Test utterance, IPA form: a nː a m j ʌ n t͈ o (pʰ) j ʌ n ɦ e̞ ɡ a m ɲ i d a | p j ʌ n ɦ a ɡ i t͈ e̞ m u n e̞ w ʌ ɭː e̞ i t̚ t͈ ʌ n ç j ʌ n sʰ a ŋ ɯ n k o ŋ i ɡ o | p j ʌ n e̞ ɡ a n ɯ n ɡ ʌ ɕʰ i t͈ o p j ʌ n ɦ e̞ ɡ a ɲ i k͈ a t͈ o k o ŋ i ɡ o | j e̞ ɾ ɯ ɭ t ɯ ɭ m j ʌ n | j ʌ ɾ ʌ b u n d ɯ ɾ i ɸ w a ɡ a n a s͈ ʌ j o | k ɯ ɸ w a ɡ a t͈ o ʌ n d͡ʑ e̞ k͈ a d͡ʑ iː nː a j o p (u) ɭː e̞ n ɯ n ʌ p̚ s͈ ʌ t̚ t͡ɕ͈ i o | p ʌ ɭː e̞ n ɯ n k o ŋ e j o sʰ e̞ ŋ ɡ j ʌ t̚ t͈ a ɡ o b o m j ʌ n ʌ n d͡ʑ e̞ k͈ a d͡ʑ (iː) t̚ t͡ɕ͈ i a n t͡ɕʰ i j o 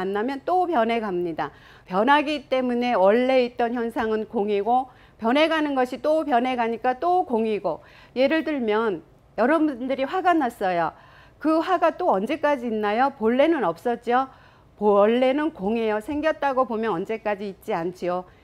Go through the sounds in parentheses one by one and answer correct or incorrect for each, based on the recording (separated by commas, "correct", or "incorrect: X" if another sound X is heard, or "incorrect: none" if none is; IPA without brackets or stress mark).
incorrect: p, incorrect: o, correct